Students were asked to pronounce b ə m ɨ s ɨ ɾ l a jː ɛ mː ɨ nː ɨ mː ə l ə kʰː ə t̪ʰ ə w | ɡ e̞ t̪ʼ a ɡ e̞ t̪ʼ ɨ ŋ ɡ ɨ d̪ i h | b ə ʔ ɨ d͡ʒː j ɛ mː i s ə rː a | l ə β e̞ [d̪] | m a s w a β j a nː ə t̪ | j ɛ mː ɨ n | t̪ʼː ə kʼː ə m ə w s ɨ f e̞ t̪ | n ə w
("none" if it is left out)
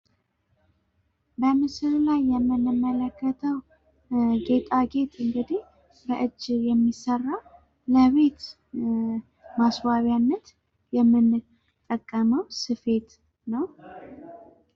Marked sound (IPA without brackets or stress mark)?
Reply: t̪